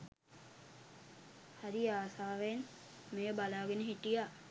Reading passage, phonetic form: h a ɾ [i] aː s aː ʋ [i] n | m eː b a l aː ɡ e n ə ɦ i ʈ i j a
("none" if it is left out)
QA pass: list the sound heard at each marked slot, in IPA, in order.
i, e

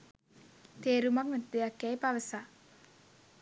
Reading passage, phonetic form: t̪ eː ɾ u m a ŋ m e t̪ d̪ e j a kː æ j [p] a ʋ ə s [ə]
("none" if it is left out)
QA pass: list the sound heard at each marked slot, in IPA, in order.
p, a

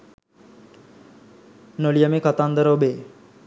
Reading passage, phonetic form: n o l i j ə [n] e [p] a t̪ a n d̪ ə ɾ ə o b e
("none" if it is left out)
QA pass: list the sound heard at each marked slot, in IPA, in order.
m, k

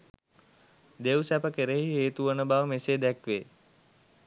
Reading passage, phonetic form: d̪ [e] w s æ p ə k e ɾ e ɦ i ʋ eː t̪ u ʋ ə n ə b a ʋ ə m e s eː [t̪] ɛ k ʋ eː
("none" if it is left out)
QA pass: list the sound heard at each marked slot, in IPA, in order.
e, d̪

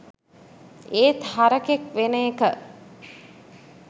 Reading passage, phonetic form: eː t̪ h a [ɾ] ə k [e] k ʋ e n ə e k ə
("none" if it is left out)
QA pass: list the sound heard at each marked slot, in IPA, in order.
ɾ, e

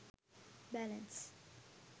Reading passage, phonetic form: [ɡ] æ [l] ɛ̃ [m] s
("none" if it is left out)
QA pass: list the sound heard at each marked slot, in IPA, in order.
b, l, n

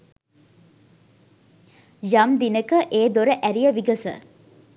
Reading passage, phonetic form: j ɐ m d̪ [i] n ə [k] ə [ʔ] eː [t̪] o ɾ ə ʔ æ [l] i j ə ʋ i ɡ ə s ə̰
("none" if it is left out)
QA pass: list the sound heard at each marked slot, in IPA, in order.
i, k, ʔ, d̪, ɾ

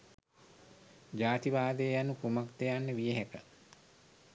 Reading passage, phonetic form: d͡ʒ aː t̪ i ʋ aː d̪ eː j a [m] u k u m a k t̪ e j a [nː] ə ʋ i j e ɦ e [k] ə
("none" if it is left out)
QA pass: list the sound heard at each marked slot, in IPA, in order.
n, nː, k

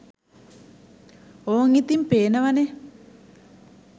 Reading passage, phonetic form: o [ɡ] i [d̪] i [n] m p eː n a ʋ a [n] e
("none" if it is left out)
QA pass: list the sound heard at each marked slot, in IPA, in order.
ŋ, t̪, none, n

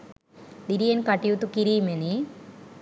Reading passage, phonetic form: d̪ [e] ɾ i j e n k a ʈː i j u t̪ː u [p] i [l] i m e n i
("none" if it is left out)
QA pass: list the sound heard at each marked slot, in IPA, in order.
i, k, ɾ

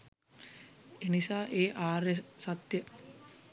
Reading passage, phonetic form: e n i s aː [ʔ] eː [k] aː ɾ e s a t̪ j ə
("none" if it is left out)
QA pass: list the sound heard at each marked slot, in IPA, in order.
ʔ, ʔ

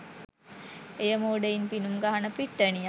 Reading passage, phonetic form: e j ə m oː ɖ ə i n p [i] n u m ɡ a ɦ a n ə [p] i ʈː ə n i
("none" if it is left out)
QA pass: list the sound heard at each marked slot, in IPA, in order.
i, p

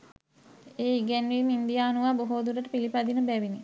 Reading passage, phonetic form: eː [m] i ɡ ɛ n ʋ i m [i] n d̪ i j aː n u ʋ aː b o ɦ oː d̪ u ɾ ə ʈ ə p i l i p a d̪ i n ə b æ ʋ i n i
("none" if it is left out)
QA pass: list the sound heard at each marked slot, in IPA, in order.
none, i

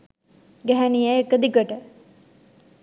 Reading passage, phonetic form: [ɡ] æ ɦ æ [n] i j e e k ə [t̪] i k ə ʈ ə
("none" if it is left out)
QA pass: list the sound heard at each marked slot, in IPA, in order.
ɡ, n, d̪

